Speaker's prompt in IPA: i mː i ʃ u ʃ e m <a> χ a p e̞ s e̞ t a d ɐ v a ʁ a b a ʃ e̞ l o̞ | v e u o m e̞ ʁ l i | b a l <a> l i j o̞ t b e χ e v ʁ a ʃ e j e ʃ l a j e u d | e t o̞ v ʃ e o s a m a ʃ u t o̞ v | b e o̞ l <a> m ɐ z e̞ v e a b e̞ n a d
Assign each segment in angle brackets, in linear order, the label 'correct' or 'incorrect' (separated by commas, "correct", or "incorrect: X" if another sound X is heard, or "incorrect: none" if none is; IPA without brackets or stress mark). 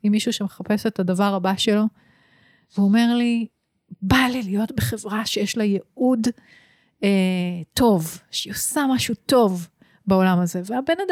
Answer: incorrect: e, incorrect: i, correct